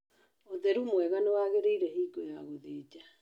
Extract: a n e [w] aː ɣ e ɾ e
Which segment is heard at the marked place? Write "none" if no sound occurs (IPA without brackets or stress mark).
w